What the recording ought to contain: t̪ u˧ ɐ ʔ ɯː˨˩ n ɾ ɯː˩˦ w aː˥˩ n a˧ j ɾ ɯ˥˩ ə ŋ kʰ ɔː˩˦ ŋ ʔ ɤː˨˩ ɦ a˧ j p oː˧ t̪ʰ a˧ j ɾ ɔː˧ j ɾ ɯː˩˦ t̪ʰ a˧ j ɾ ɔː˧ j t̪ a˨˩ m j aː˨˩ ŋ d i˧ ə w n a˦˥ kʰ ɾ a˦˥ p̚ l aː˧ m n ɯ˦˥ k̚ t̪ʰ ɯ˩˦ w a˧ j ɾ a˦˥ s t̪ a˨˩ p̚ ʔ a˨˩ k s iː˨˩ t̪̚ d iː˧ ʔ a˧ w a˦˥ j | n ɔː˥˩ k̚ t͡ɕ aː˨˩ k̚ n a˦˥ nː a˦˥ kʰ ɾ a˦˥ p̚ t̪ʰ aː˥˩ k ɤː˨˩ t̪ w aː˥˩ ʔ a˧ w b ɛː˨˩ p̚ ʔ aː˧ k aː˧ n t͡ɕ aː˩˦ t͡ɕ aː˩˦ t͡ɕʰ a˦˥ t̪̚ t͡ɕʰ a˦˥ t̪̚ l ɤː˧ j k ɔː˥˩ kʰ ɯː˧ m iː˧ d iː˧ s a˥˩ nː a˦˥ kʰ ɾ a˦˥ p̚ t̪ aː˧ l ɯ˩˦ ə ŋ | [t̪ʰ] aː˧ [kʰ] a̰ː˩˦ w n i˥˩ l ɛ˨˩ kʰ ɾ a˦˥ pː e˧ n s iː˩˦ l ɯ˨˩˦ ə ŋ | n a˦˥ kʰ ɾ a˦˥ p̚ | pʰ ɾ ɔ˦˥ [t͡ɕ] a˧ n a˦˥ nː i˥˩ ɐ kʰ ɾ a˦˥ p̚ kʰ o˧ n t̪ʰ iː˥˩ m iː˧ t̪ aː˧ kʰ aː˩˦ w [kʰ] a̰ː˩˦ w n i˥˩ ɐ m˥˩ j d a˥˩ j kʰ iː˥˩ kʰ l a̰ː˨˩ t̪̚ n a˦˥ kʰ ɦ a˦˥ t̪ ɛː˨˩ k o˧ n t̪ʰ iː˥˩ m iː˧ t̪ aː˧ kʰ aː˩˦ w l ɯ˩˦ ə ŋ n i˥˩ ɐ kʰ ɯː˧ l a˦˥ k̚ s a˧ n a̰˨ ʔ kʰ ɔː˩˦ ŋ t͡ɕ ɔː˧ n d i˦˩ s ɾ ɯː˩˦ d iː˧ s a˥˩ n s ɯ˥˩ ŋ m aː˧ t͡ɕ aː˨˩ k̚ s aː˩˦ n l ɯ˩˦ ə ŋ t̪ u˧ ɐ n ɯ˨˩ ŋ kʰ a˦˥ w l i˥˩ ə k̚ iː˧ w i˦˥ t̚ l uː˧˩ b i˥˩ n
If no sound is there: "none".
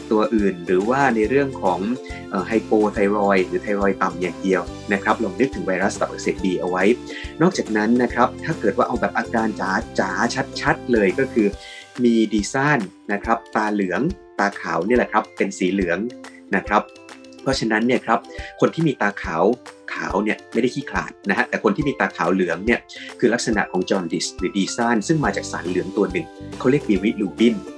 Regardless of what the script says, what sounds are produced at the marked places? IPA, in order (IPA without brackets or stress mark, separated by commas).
t̪, kʰ, t͡ɕʰ, kʰ